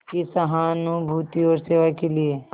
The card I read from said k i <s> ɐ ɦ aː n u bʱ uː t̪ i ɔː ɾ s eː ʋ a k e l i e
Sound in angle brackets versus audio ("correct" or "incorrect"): correct